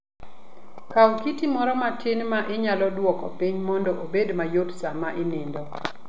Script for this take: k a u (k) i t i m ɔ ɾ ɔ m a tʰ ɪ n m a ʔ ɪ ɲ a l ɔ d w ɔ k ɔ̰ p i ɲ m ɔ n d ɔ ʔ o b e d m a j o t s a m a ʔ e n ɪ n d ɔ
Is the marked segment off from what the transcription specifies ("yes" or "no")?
no